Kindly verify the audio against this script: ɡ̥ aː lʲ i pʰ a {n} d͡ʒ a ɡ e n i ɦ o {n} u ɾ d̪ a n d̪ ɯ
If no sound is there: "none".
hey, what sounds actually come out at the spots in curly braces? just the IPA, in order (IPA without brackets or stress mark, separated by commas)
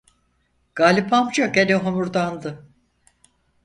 m, m